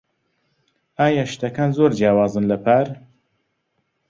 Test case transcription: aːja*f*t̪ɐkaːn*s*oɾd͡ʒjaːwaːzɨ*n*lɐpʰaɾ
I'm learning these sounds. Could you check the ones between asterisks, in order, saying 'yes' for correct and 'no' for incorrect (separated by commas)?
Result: no, no, yes